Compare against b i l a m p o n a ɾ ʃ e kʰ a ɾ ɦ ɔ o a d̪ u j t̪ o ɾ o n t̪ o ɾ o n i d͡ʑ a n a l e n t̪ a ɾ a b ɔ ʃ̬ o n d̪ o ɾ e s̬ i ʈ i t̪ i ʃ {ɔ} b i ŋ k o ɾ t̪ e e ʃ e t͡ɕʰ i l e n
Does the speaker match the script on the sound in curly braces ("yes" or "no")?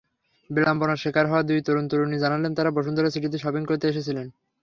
yes